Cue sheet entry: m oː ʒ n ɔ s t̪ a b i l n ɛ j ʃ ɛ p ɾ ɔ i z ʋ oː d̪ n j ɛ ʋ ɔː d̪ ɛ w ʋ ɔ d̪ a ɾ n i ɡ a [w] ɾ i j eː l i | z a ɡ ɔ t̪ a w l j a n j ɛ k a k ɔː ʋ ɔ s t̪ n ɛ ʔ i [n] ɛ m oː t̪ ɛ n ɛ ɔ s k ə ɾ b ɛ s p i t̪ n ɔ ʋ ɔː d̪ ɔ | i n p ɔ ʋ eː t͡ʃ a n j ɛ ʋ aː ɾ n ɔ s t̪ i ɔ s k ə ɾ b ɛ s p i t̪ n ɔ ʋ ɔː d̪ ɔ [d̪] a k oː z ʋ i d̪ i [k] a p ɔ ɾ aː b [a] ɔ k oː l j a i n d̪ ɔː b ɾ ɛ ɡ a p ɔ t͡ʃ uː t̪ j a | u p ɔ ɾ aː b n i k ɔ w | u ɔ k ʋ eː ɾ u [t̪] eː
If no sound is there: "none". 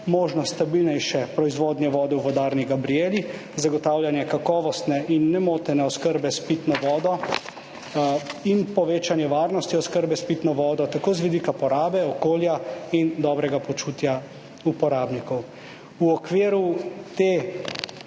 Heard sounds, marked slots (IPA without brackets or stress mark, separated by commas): b, nː, t̪, k, ɛ, t̪